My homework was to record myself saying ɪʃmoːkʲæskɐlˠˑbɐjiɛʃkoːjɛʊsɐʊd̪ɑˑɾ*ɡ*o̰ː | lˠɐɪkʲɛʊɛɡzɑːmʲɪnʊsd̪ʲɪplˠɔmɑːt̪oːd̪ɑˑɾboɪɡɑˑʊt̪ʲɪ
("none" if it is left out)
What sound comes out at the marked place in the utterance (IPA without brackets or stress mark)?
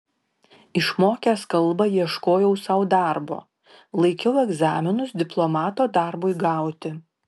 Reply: b